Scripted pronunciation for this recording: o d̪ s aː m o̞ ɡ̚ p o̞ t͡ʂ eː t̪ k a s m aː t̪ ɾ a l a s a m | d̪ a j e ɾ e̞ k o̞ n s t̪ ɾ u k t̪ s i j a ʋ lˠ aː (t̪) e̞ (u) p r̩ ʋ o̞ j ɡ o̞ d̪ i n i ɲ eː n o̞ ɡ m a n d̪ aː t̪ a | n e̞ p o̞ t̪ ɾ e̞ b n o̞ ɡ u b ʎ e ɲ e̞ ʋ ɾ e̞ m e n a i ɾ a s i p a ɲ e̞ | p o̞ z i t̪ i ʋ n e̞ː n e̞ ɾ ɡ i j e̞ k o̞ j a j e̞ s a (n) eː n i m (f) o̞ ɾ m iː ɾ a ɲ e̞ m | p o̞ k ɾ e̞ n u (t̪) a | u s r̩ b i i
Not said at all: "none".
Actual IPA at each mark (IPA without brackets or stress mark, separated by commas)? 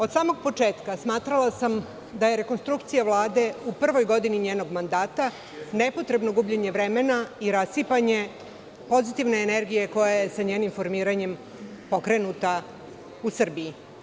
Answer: d̪, u, ɲ, f, t̪